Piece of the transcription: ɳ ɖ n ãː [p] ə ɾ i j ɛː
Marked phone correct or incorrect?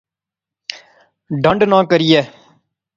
incorrect